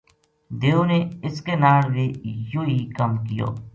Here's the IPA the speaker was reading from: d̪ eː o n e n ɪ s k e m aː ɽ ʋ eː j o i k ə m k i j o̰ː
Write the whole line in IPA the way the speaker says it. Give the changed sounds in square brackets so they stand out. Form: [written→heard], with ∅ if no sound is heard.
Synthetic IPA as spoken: d̪ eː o n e [n→∅] ɪ s k e [m→n] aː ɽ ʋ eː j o i k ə m k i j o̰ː